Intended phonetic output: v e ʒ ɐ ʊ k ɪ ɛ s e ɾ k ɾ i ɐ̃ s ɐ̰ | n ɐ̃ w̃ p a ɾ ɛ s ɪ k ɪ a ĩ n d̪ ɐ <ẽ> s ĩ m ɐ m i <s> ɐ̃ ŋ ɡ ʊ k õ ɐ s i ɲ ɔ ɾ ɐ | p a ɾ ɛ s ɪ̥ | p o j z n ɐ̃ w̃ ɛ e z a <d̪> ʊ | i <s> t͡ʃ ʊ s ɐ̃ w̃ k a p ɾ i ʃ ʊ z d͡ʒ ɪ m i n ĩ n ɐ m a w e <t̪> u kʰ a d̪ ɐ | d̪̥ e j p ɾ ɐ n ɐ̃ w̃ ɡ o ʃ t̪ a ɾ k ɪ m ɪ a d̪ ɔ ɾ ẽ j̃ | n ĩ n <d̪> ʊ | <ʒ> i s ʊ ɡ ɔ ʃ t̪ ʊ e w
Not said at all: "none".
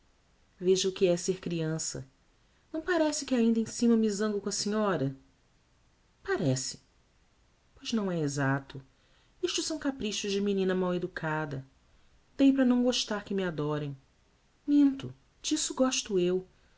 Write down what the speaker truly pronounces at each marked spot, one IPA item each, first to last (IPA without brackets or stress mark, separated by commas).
ẽ, z, t̪, ʃ, d̪, t̪, d͡ʒ